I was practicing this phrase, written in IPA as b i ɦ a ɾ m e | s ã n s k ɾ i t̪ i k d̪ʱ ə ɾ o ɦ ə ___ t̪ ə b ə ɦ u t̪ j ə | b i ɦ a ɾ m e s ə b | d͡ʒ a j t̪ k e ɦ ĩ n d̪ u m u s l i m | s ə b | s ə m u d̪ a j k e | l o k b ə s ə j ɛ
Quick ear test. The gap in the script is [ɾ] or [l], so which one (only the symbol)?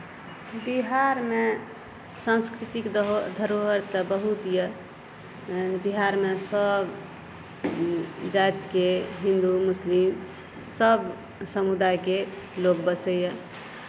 ɾ